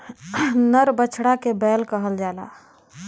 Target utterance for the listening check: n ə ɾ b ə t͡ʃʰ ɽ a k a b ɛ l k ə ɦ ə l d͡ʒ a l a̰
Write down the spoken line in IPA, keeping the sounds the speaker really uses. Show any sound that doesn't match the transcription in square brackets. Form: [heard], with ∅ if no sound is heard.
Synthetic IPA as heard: n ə ɾ b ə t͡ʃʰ ɽ a k [e] b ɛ l k ə ɦ ə l d͡ʒ a l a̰